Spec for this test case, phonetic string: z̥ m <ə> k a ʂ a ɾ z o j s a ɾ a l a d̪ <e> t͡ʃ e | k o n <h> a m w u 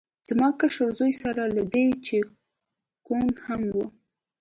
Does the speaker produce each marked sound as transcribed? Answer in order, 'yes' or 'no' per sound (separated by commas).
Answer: no, yes, yes